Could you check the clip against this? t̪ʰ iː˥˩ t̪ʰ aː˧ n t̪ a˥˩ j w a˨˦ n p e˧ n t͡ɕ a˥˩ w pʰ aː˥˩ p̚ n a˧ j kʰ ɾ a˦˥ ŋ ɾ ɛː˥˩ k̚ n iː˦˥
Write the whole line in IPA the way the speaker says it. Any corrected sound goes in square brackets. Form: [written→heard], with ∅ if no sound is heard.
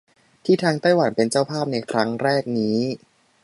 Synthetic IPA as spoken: t̪ʰ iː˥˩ t̪ʰ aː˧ [n→ŋ] t̪ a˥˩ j w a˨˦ n p e˧ n t͡ɕ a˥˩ w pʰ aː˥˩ p̚ n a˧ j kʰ ɾ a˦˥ ŋ ɾ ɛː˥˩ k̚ n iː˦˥